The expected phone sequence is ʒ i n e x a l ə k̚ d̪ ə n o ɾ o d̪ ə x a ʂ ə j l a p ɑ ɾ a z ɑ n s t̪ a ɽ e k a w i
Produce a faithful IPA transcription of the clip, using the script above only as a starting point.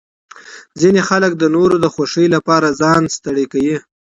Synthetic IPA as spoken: z i n e x a l ə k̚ d̪ ə n o ɾ o d̪ ə x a ʂ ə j l a p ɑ ɾ a z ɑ n s t̪ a ɽ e k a w i